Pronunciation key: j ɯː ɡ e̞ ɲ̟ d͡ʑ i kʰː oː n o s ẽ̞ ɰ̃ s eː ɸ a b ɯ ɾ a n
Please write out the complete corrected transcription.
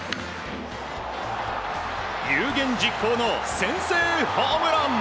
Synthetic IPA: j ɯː ɡ ẽ̞ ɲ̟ d͡ʑ i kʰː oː n o s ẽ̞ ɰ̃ s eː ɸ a m ɯ ɾ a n